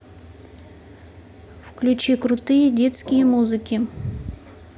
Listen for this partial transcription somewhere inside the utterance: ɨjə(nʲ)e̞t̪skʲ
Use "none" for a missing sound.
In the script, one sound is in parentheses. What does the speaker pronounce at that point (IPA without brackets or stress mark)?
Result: dʲ